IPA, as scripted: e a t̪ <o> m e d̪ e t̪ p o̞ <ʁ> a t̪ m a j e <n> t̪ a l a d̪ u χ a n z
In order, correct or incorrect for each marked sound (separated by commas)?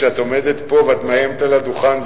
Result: correct, incorrect, incorrect